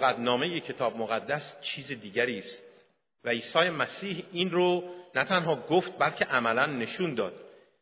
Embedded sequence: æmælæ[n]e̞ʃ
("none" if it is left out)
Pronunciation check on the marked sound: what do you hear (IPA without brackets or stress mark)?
nː